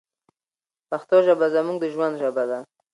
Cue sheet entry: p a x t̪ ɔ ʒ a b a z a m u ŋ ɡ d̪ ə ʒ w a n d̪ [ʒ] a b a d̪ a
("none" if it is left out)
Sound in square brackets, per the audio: ʒ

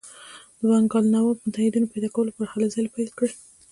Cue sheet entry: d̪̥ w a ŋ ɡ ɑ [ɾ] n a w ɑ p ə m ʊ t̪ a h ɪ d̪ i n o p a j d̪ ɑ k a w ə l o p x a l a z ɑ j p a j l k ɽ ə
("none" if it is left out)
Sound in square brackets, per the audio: l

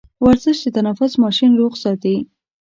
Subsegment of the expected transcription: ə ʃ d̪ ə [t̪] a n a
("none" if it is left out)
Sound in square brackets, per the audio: t̪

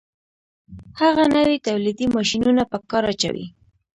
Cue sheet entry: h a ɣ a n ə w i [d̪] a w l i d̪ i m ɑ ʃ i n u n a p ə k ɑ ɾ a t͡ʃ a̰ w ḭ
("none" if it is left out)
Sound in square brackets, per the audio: t̪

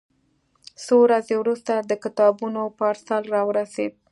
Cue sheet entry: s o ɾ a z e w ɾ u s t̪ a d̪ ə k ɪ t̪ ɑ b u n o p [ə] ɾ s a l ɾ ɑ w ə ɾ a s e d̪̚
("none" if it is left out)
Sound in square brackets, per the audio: ɑ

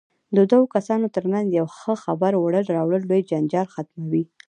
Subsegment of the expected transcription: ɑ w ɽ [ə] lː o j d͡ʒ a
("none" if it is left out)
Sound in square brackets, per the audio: ə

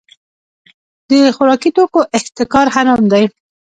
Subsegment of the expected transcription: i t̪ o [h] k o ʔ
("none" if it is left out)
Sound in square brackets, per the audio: none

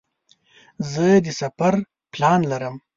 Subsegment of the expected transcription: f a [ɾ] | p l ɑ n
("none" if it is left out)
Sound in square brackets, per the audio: ɾ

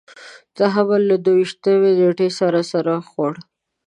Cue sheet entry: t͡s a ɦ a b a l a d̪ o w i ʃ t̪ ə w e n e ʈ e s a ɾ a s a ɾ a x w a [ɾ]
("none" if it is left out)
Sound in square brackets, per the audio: ɽ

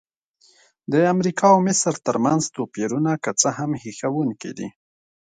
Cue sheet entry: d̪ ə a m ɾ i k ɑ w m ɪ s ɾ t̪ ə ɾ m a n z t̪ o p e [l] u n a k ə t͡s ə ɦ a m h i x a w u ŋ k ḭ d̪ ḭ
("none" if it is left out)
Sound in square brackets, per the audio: ɾ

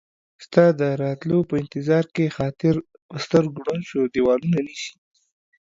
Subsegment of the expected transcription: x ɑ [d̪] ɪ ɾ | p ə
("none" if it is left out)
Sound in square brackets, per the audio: t̪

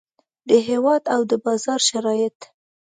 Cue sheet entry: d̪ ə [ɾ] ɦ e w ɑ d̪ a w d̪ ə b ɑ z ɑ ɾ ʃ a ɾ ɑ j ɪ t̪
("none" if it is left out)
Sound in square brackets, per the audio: none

